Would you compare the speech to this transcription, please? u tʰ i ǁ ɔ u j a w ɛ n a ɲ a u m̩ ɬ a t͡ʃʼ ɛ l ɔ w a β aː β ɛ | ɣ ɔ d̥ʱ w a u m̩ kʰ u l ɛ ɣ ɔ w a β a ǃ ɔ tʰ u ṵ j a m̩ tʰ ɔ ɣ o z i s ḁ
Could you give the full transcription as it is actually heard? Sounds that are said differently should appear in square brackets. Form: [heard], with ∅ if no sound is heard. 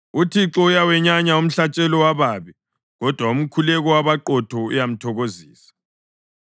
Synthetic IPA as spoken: u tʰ i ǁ ɔ u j a w ɛ [ɲ] a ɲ a u m̩ ɬ a t͡ʃʼ ɛ l ɔ w a β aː β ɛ | ɣ ɔ d̥ʱ w a u m̩ kʰ u l ɛ ɣ ɔ w a β a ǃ ɔ tʰ [ɔ] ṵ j a m̩ tʰ ɔ ɣ o z [iː] s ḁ